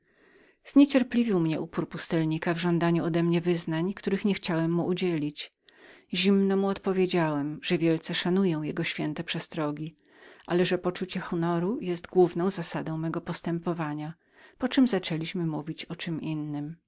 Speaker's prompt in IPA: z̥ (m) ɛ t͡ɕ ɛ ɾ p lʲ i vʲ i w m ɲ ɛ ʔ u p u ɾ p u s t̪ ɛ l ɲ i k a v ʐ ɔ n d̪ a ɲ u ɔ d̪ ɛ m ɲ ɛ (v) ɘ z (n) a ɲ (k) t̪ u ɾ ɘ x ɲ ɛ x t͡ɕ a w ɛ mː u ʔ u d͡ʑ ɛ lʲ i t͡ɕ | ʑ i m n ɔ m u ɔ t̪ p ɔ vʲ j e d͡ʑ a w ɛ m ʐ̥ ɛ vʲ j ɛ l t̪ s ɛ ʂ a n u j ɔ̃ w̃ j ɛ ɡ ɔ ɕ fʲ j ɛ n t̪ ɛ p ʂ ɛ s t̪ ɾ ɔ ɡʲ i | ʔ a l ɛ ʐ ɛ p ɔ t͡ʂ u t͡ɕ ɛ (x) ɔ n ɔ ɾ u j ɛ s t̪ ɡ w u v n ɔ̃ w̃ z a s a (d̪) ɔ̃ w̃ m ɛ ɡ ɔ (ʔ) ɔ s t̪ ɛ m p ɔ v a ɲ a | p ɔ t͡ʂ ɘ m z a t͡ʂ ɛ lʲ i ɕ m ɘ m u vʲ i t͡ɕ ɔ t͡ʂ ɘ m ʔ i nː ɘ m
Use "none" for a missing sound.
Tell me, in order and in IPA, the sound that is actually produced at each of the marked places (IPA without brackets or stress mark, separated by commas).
ɲ, v, n, k, x, d̪, p